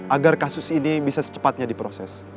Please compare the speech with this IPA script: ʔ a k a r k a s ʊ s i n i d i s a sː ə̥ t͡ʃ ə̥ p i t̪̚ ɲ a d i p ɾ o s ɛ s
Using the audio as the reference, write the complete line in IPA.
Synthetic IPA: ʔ a ɡ a r k a s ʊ s i n i b i s a s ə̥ t͡ʃ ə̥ p a t̪̚ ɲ a d i p ɾ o s ɛ s